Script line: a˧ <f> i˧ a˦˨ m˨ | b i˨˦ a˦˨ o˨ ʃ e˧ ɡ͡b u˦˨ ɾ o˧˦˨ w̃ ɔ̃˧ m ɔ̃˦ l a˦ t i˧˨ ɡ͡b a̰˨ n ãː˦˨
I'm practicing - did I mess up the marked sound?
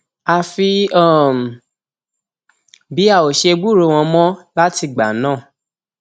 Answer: no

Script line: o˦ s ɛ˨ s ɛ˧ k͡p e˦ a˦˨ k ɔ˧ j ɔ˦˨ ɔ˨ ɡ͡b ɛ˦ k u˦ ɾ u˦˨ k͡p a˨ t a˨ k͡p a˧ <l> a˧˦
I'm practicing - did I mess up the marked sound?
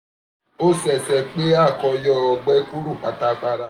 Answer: yes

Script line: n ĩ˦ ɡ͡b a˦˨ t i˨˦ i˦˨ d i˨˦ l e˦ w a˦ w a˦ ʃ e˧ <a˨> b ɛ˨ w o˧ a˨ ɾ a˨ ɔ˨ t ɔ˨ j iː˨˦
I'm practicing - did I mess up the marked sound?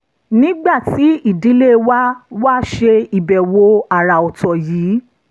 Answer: yes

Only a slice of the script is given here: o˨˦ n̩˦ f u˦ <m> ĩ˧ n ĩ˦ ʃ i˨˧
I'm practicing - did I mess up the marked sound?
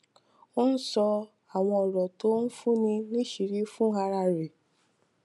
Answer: yes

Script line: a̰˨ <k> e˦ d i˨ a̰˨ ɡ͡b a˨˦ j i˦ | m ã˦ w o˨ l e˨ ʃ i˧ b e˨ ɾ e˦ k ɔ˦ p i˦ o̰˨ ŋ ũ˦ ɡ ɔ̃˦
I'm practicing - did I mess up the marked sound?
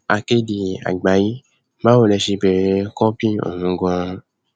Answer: no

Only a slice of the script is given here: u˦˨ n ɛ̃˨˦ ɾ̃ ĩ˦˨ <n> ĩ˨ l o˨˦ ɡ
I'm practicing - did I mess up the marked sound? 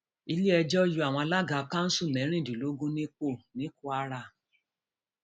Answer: yes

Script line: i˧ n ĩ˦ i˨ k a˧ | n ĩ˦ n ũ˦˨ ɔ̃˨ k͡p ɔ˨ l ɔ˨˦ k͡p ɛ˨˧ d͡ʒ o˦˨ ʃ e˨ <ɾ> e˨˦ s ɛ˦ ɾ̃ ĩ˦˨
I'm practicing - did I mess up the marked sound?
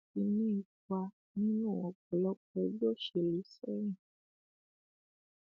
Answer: yes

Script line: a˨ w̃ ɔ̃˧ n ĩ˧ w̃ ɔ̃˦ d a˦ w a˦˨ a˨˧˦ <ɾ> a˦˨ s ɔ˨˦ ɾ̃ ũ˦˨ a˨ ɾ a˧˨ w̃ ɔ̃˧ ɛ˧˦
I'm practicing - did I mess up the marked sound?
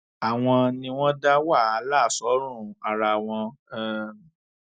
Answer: yes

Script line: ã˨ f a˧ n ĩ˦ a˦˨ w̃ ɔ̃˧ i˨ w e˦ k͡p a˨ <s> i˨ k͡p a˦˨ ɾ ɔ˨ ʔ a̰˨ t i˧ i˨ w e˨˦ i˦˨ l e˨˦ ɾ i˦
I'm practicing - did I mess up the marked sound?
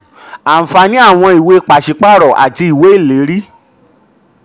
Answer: yes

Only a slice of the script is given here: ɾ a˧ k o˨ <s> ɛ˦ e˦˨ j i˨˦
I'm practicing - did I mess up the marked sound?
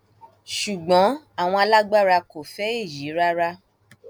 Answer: yes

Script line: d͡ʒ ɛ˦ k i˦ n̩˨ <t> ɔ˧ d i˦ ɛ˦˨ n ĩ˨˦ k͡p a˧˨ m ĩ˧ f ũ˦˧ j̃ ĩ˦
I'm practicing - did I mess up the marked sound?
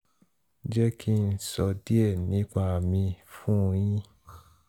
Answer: yes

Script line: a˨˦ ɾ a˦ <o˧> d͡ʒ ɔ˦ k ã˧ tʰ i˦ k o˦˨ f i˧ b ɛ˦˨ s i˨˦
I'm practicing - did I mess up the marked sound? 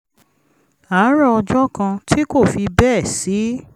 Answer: yes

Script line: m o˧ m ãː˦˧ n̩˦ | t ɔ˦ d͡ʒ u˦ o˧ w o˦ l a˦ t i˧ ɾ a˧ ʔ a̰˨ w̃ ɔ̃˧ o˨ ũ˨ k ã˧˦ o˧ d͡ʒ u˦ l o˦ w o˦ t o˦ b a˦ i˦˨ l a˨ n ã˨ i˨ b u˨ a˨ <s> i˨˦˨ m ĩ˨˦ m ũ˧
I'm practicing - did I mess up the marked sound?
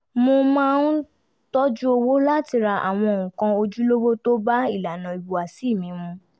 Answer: no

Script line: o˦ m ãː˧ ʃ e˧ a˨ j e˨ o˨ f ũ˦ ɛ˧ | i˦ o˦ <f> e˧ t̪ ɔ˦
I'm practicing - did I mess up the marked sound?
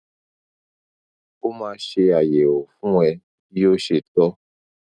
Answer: yes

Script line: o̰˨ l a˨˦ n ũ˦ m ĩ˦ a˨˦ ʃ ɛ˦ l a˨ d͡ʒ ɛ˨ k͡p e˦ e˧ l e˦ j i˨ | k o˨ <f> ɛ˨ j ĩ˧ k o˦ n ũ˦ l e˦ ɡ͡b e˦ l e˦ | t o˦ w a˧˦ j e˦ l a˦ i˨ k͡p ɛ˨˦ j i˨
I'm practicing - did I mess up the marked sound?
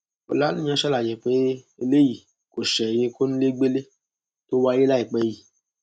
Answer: yes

